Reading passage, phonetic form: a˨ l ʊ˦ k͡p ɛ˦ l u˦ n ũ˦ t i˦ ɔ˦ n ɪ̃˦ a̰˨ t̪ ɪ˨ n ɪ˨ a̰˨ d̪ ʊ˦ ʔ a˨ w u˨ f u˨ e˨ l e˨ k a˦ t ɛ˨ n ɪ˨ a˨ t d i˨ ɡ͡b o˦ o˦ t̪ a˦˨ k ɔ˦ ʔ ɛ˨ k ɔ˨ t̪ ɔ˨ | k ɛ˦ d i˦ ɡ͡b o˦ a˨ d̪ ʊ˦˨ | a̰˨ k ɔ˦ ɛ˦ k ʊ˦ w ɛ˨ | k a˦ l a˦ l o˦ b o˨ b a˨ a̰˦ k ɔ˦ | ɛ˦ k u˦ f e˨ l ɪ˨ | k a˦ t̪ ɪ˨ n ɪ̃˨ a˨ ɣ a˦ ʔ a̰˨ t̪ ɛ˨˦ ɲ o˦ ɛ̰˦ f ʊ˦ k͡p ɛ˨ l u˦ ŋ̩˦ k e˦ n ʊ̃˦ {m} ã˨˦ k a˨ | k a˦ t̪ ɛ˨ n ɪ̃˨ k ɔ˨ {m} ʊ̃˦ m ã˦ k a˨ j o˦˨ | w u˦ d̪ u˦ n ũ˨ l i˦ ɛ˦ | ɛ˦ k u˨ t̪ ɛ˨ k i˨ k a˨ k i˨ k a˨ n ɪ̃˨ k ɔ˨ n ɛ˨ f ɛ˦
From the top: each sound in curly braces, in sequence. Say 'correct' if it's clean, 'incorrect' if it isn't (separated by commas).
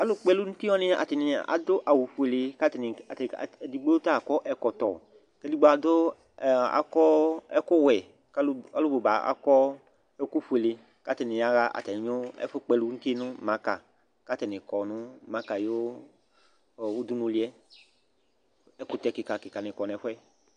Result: correct, incorrect